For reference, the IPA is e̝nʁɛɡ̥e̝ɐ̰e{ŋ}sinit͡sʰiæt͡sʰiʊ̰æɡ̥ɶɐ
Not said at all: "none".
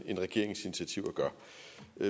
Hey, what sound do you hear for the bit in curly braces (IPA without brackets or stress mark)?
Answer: ŋ